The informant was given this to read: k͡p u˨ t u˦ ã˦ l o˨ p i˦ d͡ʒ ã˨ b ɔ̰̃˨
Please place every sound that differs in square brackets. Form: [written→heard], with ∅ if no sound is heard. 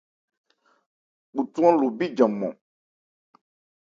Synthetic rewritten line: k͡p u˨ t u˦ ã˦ l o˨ [p→b] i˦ d͡ʒ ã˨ [b→m] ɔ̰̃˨